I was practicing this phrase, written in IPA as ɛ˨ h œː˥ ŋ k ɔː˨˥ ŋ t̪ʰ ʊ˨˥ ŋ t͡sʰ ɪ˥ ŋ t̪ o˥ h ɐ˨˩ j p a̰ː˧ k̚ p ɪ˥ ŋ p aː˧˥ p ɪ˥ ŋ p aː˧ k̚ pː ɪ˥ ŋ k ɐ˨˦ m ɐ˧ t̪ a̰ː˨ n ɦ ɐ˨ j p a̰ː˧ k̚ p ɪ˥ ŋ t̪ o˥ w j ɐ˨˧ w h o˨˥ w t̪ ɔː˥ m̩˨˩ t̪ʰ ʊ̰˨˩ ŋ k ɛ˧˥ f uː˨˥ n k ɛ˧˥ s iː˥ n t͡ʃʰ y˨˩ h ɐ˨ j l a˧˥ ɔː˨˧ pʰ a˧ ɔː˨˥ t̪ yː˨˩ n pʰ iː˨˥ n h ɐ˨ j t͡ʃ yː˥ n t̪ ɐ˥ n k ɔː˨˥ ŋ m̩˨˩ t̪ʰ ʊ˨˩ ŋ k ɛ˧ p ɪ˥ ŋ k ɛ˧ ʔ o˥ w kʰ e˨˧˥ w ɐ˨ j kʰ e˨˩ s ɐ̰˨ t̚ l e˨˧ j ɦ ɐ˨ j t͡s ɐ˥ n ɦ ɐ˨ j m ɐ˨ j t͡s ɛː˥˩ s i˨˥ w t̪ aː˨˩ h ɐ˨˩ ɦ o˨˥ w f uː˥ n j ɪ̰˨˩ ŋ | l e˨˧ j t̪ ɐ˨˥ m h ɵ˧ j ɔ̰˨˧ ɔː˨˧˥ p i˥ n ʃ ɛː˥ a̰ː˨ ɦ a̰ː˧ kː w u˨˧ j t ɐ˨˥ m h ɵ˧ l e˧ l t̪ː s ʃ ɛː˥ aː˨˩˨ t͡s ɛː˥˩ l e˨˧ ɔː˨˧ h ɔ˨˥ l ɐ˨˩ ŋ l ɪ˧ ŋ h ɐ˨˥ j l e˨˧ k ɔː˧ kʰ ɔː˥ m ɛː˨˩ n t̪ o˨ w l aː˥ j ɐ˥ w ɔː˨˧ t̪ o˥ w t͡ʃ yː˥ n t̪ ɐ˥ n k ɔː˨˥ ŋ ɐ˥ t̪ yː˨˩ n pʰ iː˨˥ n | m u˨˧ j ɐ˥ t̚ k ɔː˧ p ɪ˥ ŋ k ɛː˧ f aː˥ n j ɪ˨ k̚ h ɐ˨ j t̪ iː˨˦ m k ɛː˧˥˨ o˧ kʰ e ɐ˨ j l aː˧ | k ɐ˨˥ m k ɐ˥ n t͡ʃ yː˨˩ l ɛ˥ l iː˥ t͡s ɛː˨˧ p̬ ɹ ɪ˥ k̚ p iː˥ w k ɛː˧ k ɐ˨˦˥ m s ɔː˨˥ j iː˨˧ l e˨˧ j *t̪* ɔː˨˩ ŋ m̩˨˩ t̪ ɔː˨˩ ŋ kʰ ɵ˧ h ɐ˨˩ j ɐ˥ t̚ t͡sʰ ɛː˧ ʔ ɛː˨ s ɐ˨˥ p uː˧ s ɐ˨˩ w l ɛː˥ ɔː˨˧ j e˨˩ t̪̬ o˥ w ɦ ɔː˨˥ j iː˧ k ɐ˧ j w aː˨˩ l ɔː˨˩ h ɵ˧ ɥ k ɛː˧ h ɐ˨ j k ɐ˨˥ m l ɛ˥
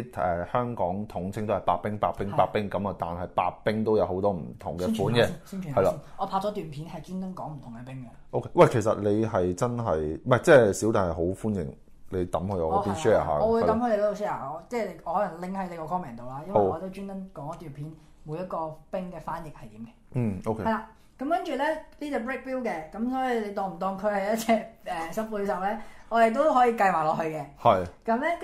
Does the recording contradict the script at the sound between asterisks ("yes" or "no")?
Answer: no